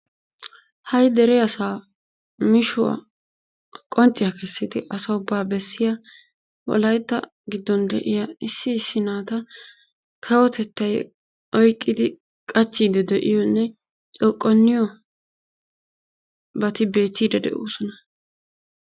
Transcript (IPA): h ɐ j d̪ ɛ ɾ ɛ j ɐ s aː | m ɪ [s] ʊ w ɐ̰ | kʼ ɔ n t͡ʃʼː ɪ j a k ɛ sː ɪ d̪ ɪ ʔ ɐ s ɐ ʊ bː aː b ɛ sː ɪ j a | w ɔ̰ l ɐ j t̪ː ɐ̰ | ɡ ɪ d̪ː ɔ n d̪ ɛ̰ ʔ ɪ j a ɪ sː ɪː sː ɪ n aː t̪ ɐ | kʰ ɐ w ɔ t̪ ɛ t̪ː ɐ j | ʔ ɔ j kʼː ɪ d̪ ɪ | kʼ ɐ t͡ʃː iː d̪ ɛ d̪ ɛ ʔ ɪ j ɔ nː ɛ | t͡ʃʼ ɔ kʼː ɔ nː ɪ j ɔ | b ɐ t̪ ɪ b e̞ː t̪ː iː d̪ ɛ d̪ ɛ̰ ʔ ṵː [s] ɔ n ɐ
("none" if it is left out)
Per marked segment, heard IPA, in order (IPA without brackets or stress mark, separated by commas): ʃ, s